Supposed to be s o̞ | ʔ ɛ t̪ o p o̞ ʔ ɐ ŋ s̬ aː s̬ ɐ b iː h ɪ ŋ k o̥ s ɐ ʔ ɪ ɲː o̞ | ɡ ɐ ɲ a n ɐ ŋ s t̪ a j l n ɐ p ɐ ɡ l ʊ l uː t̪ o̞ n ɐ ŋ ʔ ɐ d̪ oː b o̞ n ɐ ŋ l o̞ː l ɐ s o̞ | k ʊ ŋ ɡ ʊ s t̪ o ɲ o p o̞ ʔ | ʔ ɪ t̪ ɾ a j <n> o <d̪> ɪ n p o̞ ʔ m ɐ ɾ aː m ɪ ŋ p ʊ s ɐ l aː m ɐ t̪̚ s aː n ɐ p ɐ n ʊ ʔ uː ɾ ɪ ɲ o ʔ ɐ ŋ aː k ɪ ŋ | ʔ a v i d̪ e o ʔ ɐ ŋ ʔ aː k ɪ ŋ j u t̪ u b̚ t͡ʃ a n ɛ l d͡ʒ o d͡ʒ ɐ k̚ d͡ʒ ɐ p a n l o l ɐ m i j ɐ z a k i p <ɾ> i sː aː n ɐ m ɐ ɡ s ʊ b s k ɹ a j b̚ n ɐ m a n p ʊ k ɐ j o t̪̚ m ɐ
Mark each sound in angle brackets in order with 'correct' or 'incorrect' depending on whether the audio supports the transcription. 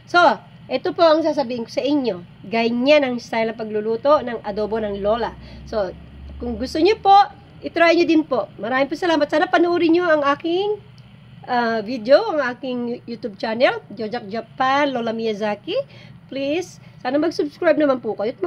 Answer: incorrect: ɲ, correct, incorrect: l

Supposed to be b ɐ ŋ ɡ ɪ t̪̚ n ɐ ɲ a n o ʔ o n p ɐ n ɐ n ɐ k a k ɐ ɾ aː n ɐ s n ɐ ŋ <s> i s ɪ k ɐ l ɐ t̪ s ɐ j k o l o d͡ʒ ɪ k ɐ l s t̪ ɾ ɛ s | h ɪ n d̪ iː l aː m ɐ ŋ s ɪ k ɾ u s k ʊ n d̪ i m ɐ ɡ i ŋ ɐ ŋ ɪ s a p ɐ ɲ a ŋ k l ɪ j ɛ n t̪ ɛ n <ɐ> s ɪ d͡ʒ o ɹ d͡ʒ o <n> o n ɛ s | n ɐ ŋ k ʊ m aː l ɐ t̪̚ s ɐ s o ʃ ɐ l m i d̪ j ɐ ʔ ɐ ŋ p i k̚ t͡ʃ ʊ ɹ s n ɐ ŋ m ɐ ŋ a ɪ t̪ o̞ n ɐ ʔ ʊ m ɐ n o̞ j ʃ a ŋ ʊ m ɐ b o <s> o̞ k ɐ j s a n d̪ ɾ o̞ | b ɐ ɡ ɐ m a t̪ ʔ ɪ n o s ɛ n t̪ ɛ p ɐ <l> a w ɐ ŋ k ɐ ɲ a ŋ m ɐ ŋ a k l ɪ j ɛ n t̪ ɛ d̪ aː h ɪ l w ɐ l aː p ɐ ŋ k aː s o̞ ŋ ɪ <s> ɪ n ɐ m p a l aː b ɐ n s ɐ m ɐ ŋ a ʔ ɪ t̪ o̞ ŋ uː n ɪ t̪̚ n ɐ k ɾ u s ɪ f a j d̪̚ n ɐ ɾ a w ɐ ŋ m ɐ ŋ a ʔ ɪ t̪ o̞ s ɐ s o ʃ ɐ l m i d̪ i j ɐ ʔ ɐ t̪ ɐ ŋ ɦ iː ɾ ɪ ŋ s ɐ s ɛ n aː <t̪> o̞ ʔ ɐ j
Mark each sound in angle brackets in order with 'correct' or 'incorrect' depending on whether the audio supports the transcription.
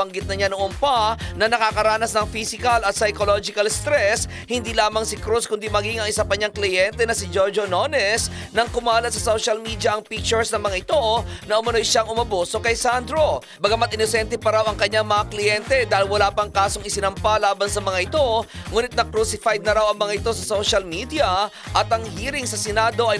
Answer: incorrect: f, correct, correct, correct, incorrect: ɾ, correct, incorrect: d̪

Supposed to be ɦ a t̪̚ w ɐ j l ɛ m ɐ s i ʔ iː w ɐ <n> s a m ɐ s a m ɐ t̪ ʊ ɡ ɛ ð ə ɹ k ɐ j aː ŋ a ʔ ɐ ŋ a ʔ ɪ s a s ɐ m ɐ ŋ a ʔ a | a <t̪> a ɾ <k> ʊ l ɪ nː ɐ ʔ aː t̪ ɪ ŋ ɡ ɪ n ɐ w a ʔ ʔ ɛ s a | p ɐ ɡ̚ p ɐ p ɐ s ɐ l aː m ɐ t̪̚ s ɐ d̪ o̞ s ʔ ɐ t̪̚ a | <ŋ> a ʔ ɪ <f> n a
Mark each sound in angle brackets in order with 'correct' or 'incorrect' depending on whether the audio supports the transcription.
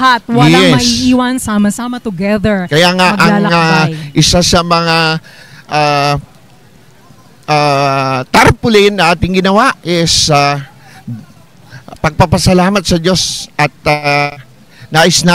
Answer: correct, correct, incorrect: p, incorrect: n, incorrect: s

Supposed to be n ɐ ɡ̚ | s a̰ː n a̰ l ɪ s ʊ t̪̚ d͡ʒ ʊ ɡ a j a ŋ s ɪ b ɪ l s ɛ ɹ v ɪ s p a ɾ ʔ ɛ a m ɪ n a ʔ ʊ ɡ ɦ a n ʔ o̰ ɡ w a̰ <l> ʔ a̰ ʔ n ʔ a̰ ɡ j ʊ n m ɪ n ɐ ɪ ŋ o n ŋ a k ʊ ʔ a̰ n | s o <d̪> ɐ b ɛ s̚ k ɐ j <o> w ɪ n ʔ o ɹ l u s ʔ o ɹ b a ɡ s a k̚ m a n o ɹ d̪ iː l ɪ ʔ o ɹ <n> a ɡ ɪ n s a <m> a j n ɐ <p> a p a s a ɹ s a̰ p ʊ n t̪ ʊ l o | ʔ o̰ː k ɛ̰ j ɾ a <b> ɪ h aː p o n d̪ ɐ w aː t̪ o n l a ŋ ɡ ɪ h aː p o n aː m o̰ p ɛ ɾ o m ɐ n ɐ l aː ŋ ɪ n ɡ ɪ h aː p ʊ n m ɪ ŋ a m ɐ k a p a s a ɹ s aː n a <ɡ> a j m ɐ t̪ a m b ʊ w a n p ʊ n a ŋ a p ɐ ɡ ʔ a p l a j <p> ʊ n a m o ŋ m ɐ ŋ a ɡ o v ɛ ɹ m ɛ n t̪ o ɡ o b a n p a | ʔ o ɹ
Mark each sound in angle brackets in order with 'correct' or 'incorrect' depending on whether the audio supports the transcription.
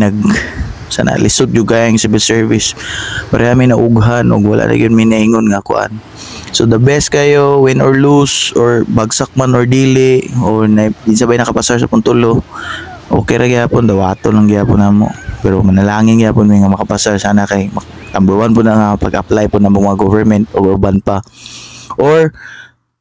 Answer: correct, correct, correct, correct, incorrect: b, incorrect: k, incorrect: ɡ, incorrect: k, correct

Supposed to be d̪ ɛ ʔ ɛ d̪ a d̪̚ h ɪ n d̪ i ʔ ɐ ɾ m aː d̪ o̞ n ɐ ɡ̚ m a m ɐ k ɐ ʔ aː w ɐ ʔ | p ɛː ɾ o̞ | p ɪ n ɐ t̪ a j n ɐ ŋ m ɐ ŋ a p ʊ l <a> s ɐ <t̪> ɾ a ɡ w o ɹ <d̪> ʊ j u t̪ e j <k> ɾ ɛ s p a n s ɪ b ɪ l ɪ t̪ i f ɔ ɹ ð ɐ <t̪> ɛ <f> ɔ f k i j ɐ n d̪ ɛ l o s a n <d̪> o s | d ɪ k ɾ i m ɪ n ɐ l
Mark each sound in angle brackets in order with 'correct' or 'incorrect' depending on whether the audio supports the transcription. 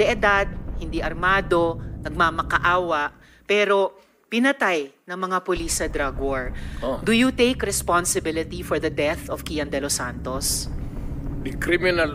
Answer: incorrect: i, incorrect: d̪, correct, correct, incorrect: d̪, incorrect: θ, incorrect: t̪

